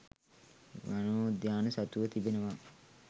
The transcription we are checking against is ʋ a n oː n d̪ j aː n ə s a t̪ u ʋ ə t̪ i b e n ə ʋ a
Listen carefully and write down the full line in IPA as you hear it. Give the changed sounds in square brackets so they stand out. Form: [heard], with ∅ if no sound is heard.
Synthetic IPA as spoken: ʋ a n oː [∅] d̪ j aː n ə s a t̪ u ʋ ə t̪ i b e n ə ʋ a